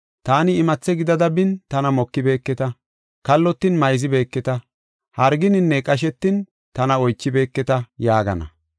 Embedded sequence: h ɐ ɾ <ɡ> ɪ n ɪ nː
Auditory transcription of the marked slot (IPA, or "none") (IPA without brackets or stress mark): ɡ